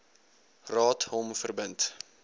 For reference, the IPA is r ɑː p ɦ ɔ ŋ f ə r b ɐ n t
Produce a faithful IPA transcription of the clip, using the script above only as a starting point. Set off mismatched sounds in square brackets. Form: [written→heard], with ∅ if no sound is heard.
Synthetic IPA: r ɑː [p→t] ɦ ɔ [ŋ→m] f ə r b [ɐ→ə] n t